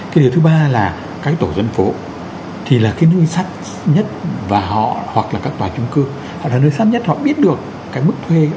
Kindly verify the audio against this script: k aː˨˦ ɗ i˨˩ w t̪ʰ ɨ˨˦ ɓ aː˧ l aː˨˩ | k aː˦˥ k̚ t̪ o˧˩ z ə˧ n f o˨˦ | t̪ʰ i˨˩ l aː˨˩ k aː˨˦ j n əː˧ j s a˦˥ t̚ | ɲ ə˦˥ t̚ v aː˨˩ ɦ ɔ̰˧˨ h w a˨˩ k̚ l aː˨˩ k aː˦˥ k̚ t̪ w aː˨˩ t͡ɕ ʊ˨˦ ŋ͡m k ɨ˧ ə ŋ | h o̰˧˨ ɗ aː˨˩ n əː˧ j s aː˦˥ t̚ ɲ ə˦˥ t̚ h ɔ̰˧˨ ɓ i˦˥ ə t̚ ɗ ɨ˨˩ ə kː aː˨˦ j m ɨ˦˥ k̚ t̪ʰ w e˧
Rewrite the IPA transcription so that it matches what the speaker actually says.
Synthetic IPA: k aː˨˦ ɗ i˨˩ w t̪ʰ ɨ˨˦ ɓ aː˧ l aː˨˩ | k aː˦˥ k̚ t̪ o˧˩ z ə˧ n f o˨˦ | t̪ʰ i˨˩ l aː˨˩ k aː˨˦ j n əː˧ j s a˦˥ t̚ | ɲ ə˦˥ t̚ v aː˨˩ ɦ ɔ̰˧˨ h w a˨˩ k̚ l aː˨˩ k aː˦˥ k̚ t̪ w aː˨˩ t͡ɕ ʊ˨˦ ŋ͡m k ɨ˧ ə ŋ | h ɔ̰˧˨ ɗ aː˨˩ n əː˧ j s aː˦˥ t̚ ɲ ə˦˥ t̚ h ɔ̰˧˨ ɓ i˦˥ ə t̚ ɗ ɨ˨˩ ə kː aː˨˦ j m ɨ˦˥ k̚ t̪ʰ w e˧